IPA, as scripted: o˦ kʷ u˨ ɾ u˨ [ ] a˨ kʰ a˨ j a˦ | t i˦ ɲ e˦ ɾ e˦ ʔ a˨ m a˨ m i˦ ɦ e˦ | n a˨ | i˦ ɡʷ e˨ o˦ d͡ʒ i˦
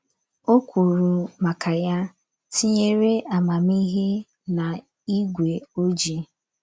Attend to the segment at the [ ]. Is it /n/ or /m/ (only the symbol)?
m